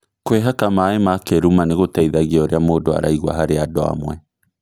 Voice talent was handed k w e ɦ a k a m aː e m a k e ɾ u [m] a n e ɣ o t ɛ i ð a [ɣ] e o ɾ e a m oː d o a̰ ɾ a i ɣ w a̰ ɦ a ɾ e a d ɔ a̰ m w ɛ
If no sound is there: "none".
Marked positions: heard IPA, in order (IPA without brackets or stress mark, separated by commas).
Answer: m, ɣ